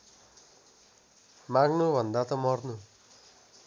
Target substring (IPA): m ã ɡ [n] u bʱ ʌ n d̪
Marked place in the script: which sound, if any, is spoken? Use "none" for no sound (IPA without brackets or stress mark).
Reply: n